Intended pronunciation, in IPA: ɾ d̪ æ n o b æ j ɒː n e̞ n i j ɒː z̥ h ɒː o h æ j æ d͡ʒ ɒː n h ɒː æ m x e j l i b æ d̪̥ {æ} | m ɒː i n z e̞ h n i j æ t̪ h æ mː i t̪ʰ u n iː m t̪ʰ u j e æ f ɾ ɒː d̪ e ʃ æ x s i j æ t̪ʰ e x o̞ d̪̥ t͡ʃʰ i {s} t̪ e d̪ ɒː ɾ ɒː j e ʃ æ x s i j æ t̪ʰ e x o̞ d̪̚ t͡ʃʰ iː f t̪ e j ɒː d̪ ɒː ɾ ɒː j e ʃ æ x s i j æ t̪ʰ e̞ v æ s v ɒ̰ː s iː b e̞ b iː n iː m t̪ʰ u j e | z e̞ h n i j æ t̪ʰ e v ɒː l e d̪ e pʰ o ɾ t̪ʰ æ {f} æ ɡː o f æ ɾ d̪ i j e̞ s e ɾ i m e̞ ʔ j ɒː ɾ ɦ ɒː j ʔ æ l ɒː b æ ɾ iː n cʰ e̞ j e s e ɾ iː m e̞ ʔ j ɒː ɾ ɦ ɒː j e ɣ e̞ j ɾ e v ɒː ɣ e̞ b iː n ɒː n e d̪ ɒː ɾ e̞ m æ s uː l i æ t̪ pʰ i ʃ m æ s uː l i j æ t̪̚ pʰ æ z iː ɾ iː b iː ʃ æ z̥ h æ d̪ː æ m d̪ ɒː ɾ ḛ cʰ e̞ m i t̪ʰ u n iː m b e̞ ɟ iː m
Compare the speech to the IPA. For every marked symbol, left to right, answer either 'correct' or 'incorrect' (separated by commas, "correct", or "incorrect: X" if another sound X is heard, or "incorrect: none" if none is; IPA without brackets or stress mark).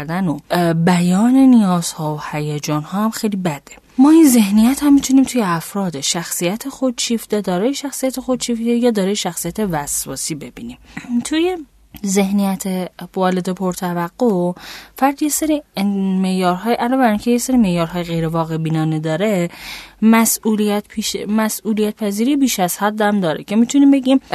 incorrect: e, incorrect: f, incorrect: v